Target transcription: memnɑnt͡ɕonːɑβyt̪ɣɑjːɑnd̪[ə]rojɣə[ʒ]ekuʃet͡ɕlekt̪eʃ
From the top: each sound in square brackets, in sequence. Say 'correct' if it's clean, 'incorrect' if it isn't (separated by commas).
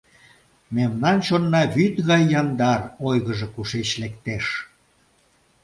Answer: incorrect, correct